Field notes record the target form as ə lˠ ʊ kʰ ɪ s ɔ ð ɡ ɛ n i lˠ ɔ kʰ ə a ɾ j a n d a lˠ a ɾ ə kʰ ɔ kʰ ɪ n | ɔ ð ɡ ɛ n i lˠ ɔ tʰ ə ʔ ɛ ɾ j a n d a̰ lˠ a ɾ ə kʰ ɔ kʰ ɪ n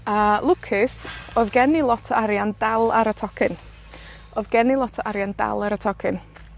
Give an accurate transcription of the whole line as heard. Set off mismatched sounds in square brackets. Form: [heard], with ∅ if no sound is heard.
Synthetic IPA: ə lˠ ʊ kʰ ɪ s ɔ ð ɡ ɛ n i lˠ ɔ [tʰ] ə a ɾ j a n d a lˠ a ɾ ə [tʰ] ɔ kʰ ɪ n | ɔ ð ɡ ɛ n i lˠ ɔ tʰ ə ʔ [a] ɾ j a n d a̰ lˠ a ɾ ə [tʰ] ɔ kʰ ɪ n